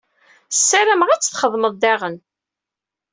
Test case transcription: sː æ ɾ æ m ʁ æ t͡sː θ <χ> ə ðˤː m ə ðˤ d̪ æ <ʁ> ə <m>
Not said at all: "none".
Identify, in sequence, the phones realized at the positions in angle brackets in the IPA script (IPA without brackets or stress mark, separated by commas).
χ, ʁ, n